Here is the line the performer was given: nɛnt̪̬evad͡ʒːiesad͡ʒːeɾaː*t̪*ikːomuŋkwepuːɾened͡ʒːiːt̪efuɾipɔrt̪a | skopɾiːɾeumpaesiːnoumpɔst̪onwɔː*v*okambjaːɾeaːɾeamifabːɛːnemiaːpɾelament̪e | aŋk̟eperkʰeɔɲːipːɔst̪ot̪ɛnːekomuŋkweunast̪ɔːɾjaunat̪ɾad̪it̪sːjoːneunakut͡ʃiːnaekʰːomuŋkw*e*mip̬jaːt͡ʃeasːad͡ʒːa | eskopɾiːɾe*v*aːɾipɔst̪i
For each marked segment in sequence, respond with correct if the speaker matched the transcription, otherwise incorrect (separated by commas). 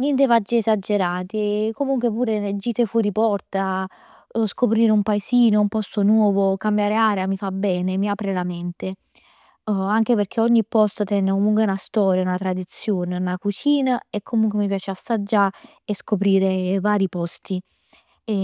correct, correct, correct, correct